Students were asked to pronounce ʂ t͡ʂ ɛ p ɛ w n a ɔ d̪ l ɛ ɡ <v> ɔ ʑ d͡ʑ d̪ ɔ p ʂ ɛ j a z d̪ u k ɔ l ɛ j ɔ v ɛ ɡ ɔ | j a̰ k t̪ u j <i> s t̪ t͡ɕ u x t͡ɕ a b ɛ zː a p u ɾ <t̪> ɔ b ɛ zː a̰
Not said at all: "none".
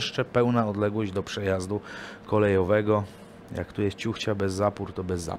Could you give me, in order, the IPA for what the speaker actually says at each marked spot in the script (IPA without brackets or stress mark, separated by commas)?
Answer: w, ɛ, t̪